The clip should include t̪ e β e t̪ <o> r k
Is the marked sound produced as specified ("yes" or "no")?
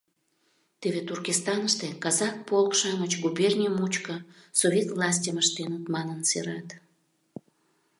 no